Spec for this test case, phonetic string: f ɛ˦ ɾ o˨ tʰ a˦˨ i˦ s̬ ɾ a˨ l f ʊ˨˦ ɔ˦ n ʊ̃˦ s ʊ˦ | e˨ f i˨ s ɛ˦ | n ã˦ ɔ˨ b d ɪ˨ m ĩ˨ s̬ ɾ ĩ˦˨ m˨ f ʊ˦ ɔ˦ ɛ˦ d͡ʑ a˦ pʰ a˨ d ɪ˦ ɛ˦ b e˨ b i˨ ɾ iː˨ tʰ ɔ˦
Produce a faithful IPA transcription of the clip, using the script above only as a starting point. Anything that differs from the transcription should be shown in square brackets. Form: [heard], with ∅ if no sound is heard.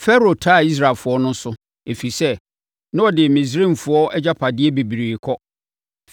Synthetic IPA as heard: f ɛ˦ ɾ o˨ tʰ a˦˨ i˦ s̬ ɾ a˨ l f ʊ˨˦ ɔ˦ n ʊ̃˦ s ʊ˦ | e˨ f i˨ s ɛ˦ | n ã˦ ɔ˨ [∅] d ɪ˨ m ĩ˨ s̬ ɾ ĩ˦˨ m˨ f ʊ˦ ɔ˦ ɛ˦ d͡ʑ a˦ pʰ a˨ d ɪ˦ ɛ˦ b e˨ b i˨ ɾ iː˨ [kʰ] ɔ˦